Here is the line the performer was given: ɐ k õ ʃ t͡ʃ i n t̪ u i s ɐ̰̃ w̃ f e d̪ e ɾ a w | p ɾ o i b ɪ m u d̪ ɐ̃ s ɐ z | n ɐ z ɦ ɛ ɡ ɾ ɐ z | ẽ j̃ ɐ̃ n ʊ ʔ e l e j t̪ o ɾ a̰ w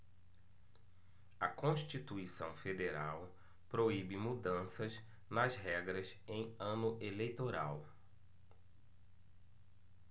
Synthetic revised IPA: ɐ k õ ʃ t͡ʃ i t̪ u i s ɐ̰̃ w̃ f e d̪ e ɾ a w | p ɾ o i b ɪ m u d̪ ɐ̃ s ɐ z | n ɐ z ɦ ɛ ɡ ɾ ɐ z | ẽ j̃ ɐ̃ n ʊ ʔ e l e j t̪ o ɾ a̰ w

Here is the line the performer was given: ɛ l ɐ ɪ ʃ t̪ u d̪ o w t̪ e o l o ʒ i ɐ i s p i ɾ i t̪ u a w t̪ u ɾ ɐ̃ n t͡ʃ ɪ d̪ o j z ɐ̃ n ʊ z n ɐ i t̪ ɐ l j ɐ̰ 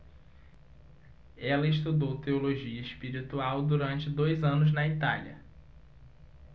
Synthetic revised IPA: ɛ l ɐ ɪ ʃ t̪ u d̪ o w t̪ e o l o ʒ i ɐ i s p i ɾ i t̪ u a w d̪ u ɾ ɐ̃ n t͡ʃ ɪ d̪ o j z ɐ̃ n ʊ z n ɐ i t̪ a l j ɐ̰

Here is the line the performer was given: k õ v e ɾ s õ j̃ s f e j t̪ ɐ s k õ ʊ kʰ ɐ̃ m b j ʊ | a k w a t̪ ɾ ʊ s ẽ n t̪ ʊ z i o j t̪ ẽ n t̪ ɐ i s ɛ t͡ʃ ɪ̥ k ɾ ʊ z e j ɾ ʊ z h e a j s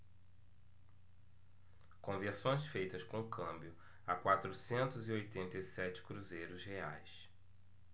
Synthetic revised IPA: k õ v e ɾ s õ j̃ s f e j t̪ ɐ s k õ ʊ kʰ ɐ̃ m b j ʊ | a k w a t̪ ɾ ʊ s ẽ n t̪ ʊ z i o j t̪ ẽ n t̪ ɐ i s ɛ t͡ʃ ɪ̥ k ɾ u z e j ɾ ʊ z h e a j s

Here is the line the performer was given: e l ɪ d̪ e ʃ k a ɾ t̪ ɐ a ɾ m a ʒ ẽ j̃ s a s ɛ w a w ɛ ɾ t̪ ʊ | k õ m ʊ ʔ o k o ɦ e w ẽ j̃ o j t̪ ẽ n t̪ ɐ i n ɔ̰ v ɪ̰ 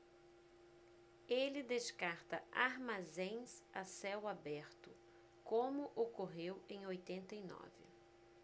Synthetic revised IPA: e l ɪ d̪ e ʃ k a ɾ t̪ ɐ a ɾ m a z ẽ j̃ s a s ɛ w a b ɛ ɾ t̪ ʊ | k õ m ʊ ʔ o k o ɦ e w ẽ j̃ o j t̪ ẽ n t̪ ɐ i n ɔ̰ v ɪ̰

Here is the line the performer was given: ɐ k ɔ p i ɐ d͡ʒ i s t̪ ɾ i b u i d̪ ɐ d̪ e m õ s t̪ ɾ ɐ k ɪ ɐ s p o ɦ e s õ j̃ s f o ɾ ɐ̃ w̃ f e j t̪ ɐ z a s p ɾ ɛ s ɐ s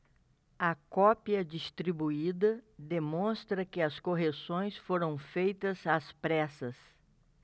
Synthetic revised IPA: ɐ k ɔ p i ɐ d͡ʒ i s t̪ ɾ i b u i d̪ ɐ d̪ e m õ s t̪ ɾ ɐ k ɪ ɐ s k o ɦ e s õ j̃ s f o ɾ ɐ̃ w̃ f e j t̪ ɐ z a s p ɾ ɛ s ɐ s

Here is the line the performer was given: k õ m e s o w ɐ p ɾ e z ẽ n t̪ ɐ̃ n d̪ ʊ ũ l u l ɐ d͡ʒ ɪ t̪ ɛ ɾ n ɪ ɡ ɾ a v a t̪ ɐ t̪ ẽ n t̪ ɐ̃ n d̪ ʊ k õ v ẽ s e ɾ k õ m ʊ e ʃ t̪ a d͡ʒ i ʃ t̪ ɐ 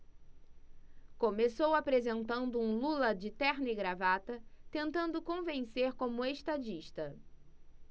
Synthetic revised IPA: k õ m e s o w a p ɾ e z ẽ n t̪ ɐ̃ n d̪ ʊ ũ l u l ɐ d͡ʒ ɪ t̪ ɛ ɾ n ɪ ɡ ɾ a v a t̪ ɐ t̪ ẽ n t̪ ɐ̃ n d̪ ʊ k õ v ẽ s e ɾ k õ m ʊ e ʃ t̪ a d͡ʒ i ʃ t̪ ɐ

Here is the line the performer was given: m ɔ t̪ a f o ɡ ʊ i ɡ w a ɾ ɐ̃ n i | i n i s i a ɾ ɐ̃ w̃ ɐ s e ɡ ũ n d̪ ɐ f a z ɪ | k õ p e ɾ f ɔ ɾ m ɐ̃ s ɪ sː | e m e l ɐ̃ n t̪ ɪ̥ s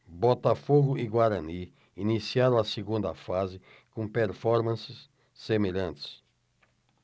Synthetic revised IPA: b ɔ t̪ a f o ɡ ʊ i ɡ w a ɾ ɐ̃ n i | i n i s i a ɾ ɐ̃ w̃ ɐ s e ɡ ũ n d̪ ɐ f a z ɪ | k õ p e ɾ f ɔ ɾ m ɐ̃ s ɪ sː | e m e ʎ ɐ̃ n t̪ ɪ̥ s

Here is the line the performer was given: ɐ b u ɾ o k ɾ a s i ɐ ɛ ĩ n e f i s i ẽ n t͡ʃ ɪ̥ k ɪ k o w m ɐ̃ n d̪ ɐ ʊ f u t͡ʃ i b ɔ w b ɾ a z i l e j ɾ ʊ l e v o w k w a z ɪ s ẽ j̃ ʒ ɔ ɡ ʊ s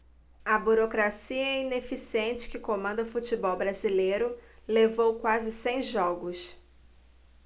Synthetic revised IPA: ɐ b u ɾ o k ɾ a s i ɐ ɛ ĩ n e f i s i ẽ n t͡ʃ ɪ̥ k ɪ k o m ɐ̃ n d̪ ɐ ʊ f u t͡ʃ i b ɔ w b ɾ a z i l e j ɾ ʊ l e v o w k w a z ɪ s ẽ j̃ ʒ ɔ ɡ ʊ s

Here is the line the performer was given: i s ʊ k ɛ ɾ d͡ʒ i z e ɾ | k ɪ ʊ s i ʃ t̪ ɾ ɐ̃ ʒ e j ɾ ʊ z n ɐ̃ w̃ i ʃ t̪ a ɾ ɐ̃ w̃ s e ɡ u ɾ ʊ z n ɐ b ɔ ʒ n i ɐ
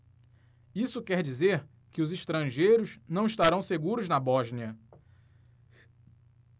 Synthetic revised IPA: i s ʊ k ɛ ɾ d͡ʒ i z e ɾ | k ɪ ʊ z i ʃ t̪ ɾ ɐ̃ ʒ e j ɾ ʊ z n ɐ̃ w̃ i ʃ t̪ a ɾ ɐ̃ w̃ s e ɡ u ɾ ʊ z n ɐ b ɔ ʒ n i ɐ

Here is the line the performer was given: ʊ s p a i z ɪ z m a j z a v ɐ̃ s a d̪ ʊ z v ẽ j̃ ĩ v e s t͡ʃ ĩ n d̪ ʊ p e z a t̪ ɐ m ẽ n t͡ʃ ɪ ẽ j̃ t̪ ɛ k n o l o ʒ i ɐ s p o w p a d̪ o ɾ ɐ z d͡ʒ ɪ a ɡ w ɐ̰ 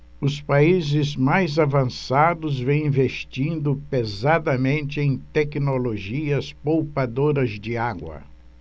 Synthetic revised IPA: ʊ s p a i z ɪ z m a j z a v ɐ̃ s a d̪ ʊ z v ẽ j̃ ĩ v e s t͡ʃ ĩ n d̪ ʊ p e z a d̪ ɐ m ẽ n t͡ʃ ɪ ẽ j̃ t̪ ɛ k n o l o ʒ i ɐ s p o w p a d̪ o ɾ ɐ z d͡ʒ ɪ a ɡ w ɐ̰

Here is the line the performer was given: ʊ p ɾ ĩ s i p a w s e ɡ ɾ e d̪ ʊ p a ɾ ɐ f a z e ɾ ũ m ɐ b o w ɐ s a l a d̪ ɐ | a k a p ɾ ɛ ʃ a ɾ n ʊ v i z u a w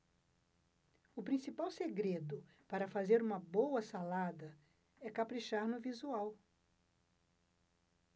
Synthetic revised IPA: ʊ p ɾ ĩ s i p a w s e ɡ ɾ e d̪ ʊ p a ɾ ɐ f a z e ɾ ũ m ɐ b o w ɐ s a l a d̪ ɐ | ɛ k a p ɾ i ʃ a ɾ n ʊ v i z u a w

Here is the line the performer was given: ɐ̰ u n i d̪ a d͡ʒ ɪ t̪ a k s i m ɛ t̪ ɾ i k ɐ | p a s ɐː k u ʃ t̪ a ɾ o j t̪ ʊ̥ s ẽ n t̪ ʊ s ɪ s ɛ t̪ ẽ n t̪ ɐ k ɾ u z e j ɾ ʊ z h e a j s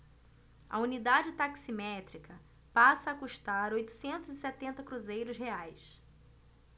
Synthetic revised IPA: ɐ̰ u n i d̪ a d͡ʒ ɪ t̪ a k s i m ɛ t̪ ɾ i k ɐ | p a s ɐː k u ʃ t̪ a ɾ o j t̪ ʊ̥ s ẽ n t̪ ʊ z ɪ s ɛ t̪ ẽ n t̪ ɐ k ɾ u z e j ɾ ʊ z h e a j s

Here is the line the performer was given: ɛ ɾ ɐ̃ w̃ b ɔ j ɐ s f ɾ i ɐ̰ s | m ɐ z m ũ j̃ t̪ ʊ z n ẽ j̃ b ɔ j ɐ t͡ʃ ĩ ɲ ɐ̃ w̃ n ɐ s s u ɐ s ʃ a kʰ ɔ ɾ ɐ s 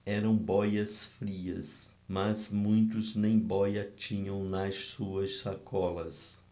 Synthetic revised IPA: ɛ ɾ ɐ̃ w̃ b ɔ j ɐ s f ɾ i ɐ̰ s | m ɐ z m ũ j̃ t̪ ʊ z n ẽ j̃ b ɔ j ɐ t͡ʃ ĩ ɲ ɐ̃ w̃ n ɐ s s u ɐ s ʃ a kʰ ɔ l ɐ s

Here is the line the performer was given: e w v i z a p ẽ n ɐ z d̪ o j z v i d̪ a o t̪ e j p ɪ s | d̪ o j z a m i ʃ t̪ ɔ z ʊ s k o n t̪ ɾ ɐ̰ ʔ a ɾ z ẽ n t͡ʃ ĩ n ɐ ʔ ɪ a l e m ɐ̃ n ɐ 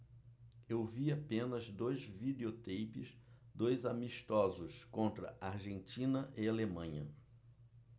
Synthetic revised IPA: e w v i a p ẽ n ɐ z d̪ o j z v i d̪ e o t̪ e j p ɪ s | d̪ o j z a m i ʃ t̪ ɔ z ʊ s k õ n t̪ ɾ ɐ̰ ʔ a ɾ ʒ ẽ n t͡ʃ ĩ n ɐ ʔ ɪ a l e m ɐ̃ ɲ ɐ

